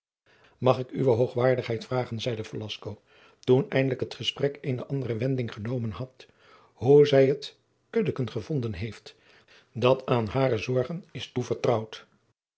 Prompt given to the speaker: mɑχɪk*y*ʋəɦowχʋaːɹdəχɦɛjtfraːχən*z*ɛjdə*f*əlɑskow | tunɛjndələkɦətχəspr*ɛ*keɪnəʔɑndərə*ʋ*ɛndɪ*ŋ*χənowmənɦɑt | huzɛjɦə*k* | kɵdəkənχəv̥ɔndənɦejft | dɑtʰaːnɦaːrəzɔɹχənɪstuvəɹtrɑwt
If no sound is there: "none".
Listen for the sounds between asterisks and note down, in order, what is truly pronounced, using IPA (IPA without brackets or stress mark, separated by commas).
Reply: y, z, f, ɛ, ʋ, ŋ, t